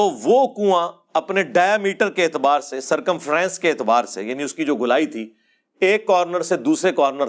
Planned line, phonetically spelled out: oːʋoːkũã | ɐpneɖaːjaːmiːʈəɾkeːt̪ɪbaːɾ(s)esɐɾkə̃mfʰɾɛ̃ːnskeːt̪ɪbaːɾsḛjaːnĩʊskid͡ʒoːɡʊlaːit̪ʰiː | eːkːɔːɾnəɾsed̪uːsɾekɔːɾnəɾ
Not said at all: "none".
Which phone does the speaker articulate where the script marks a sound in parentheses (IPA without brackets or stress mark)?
s